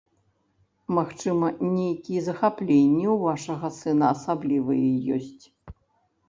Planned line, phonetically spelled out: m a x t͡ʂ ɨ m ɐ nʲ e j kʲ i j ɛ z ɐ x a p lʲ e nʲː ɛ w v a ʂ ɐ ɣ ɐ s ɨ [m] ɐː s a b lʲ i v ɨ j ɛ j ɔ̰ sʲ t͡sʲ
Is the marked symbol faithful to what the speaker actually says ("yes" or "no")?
no